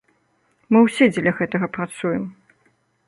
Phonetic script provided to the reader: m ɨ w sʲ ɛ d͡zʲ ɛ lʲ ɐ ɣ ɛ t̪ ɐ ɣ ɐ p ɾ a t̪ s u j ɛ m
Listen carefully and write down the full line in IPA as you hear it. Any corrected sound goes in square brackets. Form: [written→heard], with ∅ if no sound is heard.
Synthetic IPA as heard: m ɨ w sʲ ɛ d͡zʲ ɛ lʲ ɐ ɣ ɛ t̪ ɐ ɣ ɐ p ɾ a t̪ s u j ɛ m